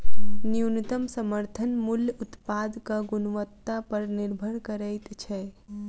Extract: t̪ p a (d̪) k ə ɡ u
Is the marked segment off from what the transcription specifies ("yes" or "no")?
no